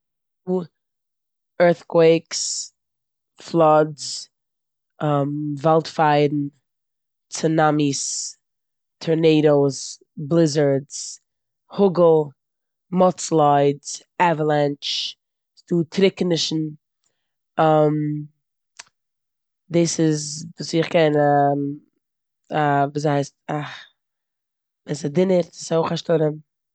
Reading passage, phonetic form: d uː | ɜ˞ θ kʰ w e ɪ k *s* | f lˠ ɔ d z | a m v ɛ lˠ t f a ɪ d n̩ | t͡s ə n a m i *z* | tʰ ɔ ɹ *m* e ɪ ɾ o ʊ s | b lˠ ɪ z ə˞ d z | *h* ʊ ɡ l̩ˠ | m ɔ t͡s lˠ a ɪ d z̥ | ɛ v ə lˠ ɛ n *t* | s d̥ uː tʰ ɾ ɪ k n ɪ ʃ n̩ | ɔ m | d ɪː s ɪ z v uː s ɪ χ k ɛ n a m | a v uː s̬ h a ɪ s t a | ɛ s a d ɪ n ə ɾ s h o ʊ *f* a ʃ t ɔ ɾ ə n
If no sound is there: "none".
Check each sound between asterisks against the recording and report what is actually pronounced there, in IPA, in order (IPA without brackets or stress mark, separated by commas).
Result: s, s, n, h, t͡ʃ, χ